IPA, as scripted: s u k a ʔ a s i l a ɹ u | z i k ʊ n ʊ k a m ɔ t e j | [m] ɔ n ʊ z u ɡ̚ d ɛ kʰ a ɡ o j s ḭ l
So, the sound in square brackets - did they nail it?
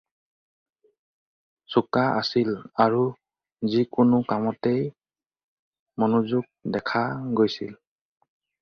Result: yes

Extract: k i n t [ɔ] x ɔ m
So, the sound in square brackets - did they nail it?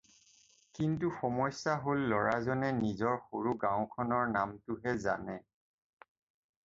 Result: no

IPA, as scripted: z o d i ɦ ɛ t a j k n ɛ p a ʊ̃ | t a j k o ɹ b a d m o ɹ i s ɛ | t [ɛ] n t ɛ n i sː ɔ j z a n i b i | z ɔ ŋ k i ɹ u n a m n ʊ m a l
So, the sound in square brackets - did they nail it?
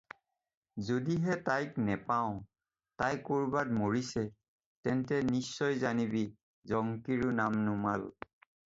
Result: yes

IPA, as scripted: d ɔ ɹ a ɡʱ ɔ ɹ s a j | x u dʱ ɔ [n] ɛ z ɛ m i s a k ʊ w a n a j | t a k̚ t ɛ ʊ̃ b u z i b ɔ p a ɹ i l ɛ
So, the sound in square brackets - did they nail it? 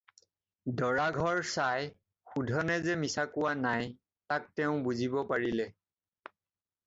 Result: yes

